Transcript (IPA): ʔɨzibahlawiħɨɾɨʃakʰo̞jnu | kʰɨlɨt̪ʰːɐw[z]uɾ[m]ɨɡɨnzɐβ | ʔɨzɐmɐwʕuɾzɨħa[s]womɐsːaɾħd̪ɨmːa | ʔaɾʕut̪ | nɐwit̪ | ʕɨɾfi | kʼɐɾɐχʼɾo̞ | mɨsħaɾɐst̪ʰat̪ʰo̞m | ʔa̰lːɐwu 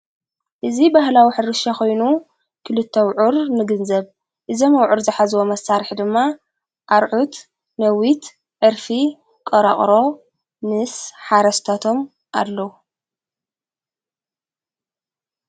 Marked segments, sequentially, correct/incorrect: incorrect: ʕ, incorrect: n, incorrect: z

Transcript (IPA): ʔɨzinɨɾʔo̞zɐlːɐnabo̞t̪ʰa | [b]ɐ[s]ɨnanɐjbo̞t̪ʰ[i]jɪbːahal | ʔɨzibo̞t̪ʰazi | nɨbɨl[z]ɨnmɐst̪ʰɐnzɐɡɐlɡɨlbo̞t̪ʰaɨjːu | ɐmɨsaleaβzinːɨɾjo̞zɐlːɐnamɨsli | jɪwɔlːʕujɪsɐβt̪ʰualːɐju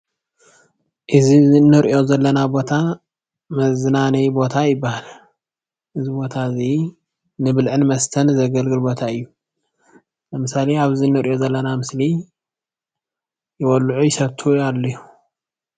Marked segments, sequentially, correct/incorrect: incorrect: m, incorrect: z, incorrect: a, incorrect: ʕ

